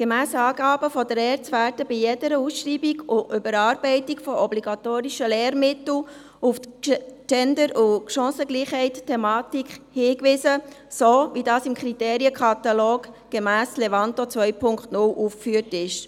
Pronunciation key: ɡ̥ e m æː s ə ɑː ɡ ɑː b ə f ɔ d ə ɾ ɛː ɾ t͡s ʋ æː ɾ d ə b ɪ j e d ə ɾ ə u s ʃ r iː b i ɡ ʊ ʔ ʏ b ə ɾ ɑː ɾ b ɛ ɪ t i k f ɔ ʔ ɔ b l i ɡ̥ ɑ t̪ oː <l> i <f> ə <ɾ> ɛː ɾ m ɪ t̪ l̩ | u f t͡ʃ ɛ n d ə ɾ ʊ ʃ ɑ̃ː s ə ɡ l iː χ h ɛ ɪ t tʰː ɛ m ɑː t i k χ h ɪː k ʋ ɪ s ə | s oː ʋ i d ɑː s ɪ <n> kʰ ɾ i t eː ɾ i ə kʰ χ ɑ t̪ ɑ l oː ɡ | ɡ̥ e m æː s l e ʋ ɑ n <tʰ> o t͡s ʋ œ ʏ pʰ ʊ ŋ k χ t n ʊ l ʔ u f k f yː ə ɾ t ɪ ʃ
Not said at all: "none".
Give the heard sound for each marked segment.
ɾ, ʃ, l, m, t

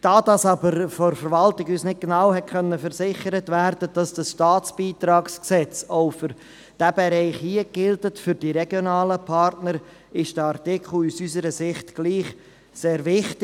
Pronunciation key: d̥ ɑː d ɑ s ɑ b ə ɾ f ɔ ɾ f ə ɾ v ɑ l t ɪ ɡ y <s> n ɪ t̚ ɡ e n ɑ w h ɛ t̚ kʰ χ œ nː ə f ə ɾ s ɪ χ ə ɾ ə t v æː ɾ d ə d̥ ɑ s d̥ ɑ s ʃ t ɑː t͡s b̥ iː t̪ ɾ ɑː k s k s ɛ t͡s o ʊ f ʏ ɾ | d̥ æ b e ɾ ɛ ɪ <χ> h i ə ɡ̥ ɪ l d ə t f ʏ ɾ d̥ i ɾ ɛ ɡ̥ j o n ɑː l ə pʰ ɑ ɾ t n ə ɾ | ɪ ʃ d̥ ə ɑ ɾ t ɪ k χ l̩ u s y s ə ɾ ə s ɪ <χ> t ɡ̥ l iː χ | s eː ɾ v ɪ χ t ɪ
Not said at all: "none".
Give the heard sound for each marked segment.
s, χ, χ

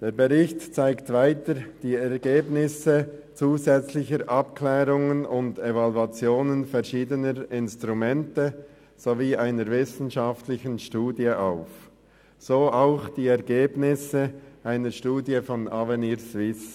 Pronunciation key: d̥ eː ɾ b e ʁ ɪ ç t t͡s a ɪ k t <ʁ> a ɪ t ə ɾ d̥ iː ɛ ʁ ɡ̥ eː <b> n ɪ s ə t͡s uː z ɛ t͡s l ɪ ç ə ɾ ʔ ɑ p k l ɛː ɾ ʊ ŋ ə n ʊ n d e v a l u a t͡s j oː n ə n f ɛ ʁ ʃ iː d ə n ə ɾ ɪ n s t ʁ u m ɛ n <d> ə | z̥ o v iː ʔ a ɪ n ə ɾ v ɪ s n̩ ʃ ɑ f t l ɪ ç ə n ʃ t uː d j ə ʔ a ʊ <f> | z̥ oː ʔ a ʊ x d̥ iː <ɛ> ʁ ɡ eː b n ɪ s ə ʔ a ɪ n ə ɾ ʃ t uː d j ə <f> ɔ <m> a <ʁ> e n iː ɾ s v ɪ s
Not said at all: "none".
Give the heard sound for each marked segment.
v, b, t, f, ɛ, f, n, v

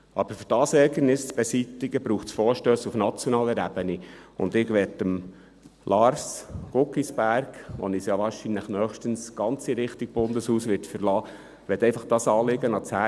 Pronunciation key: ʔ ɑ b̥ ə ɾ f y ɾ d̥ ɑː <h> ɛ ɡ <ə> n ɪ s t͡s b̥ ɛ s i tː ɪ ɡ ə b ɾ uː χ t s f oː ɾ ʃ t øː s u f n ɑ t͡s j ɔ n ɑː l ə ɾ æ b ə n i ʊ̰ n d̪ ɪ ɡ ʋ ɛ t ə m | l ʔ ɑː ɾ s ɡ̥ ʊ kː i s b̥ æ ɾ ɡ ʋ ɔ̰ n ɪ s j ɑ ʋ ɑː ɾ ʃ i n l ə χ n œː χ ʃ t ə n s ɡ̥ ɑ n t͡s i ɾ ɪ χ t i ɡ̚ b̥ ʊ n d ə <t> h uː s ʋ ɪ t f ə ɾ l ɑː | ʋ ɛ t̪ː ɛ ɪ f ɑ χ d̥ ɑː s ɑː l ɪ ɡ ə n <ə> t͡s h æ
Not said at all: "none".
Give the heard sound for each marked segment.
s, ə, s, ɑ

